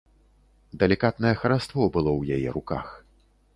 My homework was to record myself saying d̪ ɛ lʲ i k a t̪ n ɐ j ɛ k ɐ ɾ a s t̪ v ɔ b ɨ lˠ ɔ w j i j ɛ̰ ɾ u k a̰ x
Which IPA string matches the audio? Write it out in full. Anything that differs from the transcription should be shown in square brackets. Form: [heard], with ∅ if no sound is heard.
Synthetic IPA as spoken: d̪ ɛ lʲ i k a t̪ n ɐ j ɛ [x] ɐ ɾ a s t̪ v ɔ b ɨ lˠ ɔ w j [a] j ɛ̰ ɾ u k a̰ x